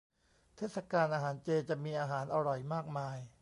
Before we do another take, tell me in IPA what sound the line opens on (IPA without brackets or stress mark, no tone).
t̪ʰ